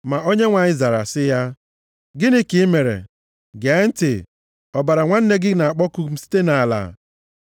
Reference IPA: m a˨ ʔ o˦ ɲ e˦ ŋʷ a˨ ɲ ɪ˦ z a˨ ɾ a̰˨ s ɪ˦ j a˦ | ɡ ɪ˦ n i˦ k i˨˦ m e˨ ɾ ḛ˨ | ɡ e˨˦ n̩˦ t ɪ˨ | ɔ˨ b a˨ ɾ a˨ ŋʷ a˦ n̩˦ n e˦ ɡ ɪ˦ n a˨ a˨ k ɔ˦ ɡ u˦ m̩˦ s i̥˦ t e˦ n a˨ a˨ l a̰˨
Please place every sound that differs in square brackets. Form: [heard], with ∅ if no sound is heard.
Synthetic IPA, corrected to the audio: m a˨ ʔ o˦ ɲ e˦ ŋʷ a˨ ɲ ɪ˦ z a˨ ɾ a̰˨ s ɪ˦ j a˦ | ɡ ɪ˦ n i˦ k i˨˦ m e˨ ɾ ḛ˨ | ɡ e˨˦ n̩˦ t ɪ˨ | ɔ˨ b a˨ ɾ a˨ ŋʷ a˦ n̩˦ n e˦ ɡ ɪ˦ n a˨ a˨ [k͡p] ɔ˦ [k] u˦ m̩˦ s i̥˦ t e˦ n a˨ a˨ l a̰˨